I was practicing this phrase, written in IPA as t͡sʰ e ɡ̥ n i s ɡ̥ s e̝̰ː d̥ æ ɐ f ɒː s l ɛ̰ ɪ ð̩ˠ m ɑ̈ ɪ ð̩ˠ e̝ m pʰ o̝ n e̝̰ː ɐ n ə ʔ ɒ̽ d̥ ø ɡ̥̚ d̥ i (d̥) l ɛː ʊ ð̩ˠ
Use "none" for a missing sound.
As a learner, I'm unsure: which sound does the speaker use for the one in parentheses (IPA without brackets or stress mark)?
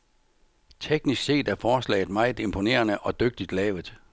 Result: d̥